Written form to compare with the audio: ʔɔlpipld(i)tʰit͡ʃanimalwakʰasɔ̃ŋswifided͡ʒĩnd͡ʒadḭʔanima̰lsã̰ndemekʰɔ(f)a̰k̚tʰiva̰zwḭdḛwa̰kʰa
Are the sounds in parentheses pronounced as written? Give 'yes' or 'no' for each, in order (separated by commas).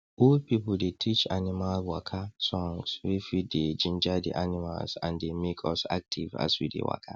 no, no